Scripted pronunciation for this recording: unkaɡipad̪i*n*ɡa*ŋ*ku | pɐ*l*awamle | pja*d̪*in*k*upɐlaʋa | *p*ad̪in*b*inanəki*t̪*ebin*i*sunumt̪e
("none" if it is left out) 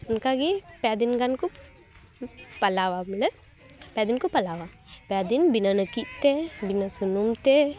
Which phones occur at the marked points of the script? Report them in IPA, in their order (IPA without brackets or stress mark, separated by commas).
n, n, l, d̪, k, p, b, t̪, a